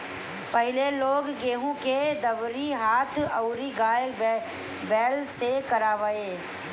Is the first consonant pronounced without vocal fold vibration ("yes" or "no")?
yes